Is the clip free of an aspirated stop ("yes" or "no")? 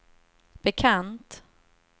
no